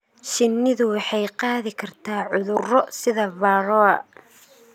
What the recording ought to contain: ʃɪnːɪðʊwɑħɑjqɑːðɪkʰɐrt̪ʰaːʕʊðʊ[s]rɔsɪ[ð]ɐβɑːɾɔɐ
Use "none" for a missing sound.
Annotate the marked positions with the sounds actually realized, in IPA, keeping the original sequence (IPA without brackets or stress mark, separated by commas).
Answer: none, ð